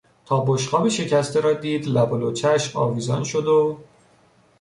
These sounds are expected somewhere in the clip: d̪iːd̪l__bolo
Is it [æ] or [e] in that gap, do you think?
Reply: æ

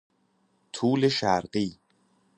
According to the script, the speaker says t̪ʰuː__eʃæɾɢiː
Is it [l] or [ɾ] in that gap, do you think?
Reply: l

